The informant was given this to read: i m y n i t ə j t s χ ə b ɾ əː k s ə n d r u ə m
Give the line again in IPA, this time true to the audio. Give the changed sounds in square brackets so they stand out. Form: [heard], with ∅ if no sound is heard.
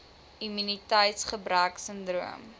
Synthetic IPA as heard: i m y n i t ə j t s χ ə b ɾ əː k s ə n d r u ə m